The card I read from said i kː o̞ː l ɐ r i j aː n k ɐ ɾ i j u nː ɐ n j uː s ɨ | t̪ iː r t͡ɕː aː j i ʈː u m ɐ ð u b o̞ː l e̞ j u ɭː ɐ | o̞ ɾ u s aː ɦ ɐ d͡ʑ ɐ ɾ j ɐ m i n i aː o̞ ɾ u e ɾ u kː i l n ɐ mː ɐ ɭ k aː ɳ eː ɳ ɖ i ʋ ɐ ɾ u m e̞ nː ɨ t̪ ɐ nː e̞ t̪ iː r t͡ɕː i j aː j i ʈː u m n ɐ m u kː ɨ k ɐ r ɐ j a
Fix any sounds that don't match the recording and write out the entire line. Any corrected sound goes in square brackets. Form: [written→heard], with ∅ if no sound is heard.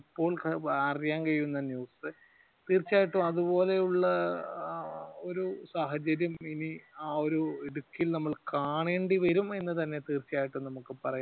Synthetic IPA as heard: i [kː→pː] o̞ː [l→ɭ] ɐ r i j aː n k ɐ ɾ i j u nː ɐ n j uː s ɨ | t̪ iː r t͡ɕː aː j i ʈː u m ɐ ð u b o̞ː l e̞ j u ɭː ɐ | o̞ ɾ u s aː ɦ ɐ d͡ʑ ɐ ɾ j ɐ m i n i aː o̞ ɾ u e [ɾ→ɽ] u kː i l n ɐ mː ɐ ɭ k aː ɳ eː ɳ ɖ i ʋ ɐ ɾ u m e̞ nː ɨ t̪ ɐ nː e̞ t̪ iː r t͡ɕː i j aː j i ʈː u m n ɐ m u kː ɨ [k→p] ɐ r ɐ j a